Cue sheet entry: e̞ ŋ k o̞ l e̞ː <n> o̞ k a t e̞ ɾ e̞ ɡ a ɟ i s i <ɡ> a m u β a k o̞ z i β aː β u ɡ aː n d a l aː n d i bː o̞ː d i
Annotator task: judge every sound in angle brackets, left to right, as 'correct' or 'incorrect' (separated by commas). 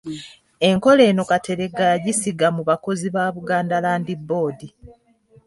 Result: correct, correct